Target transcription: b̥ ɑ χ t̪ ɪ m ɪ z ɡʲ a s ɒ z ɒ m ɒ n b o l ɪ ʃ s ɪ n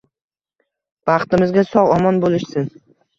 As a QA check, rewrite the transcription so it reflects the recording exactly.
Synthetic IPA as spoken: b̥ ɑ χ t̪ ɪ m ɪ z ɡʲ a s ɒ ʁ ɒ m ɒ n b o l ɪ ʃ s ɪ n